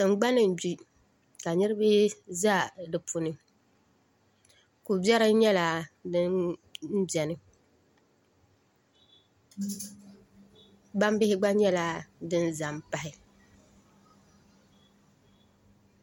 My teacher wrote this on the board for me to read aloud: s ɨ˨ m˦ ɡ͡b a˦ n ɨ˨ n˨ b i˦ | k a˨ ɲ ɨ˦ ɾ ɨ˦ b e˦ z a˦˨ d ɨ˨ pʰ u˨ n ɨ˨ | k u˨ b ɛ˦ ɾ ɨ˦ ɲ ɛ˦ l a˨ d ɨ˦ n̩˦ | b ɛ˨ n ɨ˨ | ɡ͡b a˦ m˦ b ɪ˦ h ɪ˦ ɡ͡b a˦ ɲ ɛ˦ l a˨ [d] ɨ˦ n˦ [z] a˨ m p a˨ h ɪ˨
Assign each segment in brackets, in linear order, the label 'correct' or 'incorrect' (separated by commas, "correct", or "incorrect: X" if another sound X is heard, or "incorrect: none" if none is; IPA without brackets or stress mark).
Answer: correct, correct